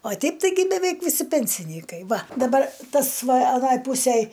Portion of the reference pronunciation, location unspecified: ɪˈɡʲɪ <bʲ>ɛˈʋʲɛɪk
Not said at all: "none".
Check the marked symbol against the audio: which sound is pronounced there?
bʲ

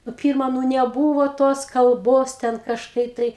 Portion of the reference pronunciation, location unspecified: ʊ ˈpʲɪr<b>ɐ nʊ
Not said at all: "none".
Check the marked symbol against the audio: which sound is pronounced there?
m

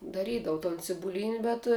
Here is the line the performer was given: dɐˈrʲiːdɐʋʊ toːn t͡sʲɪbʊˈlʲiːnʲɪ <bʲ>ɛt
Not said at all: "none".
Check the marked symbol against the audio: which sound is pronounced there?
bʲ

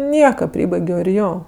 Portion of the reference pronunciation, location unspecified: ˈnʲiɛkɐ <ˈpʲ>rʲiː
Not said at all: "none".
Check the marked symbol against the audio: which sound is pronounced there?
pʲ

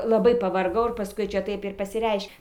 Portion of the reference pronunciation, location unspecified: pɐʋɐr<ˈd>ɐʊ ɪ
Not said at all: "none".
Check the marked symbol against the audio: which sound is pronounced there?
ɡ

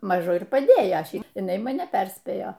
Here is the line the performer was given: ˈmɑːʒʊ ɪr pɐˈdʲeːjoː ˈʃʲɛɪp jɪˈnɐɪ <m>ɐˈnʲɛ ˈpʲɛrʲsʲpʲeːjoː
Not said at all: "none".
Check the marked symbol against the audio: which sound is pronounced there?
m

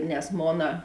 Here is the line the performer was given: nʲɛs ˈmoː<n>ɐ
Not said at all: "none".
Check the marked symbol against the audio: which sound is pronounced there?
n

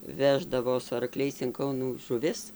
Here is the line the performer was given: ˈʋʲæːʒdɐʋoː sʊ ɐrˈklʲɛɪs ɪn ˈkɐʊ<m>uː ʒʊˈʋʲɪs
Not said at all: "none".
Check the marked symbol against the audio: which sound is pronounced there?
n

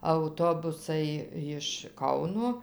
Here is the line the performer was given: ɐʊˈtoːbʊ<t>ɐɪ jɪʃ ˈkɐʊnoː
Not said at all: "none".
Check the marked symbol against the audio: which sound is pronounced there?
s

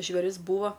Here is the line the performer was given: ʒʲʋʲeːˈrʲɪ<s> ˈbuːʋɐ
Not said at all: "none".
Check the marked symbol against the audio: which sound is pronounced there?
s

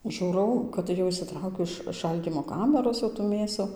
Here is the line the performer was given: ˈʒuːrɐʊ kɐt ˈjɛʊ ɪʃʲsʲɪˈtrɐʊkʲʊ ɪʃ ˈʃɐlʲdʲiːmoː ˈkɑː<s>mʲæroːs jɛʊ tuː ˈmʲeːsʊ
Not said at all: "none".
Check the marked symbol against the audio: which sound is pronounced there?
none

